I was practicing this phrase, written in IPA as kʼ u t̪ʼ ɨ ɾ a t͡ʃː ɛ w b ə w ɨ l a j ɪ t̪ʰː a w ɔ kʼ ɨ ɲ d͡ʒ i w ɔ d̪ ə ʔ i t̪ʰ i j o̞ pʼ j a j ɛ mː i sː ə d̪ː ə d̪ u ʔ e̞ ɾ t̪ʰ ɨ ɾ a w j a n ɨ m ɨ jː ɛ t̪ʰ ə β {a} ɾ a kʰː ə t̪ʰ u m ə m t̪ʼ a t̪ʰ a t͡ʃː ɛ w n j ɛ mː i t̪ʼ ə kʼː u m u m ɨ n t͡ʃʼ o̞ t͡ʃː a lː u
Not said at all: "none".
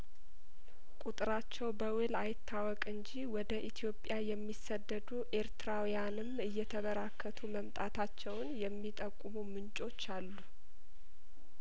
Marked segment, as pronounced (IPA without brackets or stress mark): ə